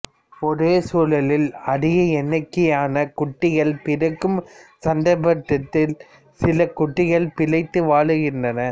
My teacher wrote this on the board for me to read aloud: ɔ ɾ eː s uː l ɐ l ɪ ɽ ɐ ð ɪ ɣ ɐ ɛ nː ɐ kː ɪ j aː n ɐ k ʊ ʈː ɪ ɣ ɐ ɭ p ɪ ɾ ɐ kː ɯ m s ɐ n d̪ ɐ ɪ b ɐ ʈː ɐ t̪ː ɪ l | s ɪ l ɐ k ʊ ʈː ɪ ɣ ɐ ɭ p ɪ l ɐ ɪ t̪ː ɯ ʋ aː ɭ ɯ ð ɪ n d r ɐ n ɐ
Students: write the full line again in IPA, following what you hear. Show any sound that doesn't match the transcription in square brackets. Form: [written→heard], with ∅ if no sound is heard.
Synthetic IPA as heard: ɔ ɾ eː s uː l ɐ l ɪ [ɽ→l] ɐ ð ɪ ɣ ɐ ɛ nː ɐ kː ɪ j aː n ɐ k ʊ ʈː ɪ ɣ ɐ ɭ p ɪ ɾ ɐ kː ɯ m s ɐ n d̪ ɐ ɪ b ɐ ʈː ɐ t̪ː ɪ l | s ɪ l ɐ k ʊ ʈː ɪ ɣ ɐ ɭ p ɪ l ɐ ɪ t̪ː ɯ ʋ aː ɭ ɯ [ð→ɣ] ɪ n d r ɐ n ɐ